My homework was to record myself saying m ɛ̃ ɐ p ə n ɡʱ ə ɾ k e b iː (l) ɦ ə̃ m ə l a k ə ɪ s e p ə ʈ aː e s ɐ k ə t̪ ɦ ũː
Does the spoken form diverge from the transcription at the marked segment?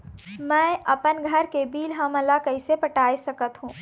no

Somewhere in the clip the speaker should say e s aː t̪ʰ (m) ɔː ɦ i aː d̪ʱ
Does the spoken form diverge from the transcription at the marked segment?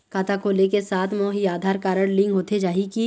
no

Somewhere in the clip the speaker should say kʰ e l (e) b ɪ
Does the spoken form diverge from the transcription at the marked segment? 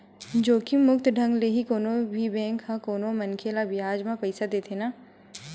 yes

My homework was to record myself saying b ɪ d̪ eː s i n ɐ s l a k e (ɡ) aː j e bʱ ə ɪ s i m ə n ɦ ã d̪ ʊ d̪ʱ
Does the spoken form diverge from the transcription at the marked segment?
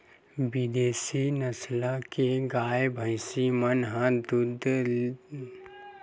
no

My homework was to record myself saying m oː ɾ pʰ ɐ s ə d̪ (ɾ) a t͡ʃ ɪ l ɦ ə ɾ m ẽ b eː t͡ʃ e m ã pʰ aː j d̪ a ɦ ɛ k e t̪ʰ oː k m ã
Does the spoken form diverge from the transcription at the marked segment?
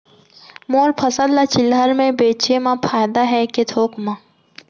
yes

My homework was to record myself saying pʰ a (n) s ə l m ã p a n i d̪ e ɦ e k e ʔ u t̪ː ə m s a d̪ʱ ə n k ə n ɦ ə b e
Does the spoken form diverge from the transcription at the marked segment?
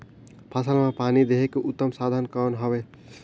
yes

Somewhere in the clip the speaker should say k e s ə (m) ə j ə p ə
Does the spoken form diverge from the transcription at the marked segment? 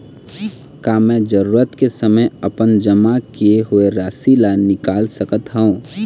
no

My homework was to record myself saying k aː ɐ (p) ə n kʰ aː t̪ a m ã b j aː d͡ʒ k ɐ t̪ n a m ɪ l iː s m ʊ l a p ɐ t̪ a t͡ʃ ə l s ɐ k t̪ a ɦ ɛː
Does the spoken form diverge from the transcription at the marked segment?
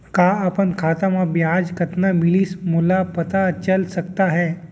no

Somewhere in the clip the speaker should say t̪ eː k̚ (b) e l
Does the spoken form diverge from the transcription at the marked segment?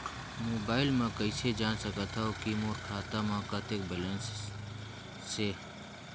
no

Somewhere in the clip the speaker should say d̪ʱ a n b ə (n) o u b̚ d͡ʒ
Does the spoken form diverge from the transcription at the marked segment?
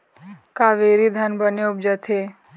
no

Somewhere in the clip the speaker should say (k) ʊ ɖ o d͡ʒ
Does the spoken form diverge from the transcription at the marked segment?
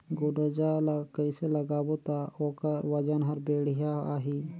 yes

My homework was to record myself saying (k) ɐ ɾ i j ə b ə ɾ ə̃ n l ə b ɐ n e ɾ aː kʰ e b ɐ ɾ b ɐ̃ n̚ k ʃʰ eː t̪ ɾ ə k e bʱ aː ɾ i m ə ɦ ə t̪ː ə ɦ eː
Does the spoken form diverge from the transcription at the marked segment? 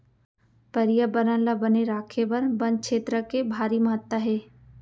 yes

